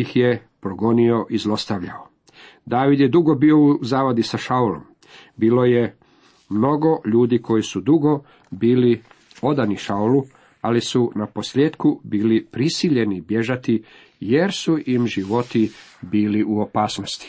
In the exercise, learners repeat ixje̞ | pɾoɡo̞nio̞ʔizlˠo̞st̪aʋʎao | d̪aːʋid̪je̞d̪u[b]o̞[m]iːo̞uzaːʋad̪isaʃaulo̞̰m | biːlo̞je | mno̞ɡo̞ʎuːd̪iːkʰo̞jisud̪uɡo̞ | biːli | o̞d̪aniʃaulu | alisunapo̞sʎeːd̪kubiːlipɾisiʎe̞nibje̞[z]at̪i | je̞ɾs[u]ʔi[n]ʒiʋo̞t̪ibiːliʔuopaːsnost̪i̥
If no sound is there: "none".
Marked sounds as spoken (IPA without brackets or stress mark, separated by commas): ɡ, b, ʒ, u, m